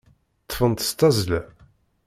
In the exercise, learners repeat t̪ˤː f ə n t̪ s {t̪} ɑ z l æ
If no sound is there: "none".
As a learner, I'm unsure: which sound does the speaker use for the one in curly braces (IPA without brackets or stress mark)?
t̪